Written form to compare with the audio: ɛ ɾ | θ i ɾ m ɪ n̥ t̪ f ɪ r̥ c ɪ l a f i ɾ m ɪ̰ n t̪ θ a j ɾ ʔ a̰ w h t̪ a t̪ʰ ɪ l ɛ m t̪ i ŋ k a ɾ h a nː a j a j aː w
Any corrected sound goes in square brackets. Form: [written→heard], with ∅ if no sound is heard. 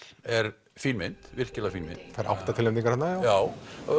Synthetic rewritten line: ɛ ɾ | [θ→f] i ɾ m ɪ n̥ t̪ [f→v] ɪ r̥ c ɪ l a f i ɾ m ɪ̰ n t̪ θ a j ɾ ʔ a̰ w h t̪ a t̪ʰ ɪ l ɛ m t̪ i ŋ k a ɾ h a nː a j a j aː w